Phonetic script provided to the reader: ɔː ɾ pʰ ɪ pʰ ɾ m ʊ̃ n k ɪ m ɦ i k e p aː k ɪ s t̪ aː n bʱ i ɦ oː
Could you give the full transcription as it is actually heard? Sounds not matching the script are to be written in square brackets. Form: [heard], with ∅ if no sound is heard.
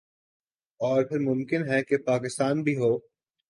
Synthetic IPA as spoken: ɔː ɾ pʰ ɪ [∅] ɾ m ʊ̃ [m] k ɪ [n] ɦ [ɛ] k e p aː k ɪ s t̪ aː n bʱ i ɦ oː